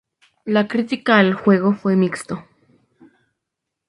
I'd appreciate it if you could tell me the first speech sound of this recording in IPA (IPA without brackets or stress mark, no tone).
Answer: l